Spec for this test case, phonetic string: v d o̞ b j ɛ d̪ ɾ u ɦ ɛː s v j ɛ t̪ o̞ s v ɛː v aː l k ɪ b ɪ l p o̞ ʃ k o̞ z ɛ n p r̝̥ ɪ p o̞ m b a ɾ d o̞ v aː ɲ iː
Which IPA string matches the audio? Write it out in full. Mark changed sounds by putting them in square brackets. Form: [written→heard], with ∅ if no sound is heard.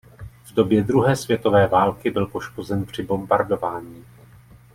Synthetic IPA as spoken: v d o̞ b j ɛ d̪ ɾ u ɦ ɛː s v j ɛ t̪ o̞ [s→∅] v ɛː v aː l k ɪ b ɪ l p o̞ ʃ k o̞ z ɛ n p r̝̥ ɪ [p→b] o̞ m b a ɾ d o̞ v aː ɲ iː